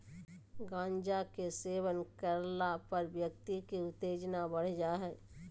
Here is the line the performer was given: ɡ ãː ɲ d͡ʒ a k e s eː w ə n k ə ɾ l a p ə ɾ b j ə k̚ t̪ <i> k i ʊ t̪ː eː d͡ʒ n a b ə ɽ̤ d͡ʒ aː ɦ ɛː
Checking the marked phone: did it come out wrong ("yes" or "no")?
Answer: no